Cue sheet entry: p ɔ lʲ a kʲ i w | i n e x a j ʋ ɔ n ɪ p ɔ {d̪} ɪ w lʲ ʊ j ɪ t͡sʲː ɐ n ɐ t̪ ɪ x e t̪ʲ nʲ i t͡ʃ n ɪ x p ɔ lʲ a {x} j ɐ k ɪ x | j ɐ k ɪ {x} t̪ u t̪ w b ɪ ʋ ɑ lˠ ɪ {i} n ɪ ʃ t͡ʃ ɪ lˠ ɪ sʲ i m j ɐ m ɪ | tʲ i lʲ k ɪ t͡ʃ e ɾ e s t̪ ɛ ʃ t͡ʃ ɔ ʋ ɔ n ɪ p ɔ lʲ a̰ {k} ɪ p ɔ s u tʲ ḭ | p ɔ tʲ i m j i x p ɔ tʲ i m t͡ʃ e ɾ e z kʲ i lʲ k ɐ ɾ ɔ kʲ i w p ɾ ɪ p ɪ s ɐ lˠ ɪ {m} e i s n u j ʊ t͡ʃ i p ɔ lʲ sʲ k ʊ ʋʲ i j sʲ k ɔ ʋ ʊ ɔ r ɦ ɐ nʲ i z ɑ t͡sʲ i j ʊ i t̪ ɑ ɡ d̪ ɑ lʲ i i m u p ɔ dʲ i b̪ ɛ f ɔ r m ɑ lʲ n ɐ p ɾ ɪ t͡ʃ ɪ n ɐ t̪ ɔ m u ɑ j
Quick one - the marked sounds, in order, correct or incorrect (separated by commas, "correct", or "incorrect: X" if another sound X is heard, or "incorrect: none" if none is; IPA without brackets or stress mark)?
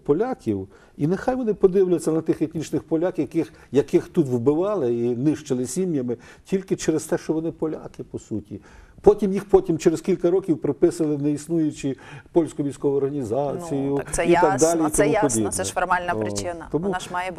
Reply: correct, incorrect: k, correct, correct, correct, incorrect: n